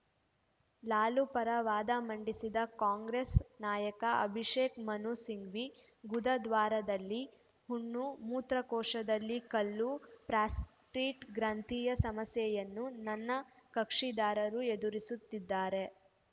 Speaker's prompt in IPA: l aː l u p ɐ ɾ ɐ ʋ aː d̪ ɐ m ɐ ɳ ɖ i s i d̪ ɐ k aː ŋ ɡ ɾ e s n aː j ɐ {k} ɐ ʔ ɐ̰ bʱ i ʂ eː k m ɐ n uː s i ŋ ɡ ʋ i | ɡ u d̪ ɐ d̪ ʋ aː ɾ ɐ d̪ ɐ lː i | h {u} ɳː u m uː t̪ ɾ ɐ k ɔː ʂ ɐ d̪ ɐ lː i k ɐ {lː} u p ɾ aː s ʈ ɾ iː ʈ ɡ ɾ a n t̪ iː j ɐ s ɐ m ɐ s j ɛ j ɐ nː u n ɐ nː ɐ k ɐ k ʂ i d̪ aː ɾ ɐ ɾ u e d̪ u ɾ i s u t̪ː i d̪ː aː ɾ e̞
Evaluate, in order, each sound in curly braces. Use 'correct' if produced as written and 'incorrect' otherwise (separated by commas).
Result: correct, correct, correct